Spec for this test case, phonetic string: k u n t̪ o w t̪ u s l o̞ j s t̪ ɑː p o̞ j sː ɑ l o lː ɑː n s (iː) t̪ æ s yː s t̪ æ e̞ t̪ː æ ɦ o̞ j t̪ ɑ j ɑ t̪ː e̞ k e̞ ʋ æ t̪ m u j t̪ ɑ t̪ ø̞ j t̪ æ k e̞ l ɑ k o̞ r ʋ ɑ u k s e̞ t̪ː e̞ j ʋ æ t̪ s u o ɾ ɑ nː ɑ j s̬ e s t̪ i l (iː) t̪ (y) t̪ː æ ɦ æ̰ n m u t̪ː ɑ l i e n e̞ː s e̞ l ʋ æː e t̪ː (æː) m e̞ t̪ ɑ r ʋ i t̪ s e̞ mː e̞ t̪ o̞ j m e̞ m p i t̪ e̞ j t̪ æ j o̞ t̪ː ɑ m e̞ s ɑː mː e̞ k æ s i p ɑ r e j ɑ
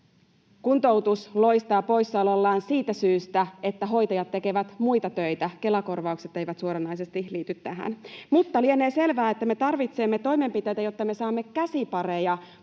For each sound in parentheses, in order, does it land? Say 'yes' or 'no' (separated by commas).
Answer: yes, yes, yes, no